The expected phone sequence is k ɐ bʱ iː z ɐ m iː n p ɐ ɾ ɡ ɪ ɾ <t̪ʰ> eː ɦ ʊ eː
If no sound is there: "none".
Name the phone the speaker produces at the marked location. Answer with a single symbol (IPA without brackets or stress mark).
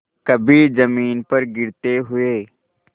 t̪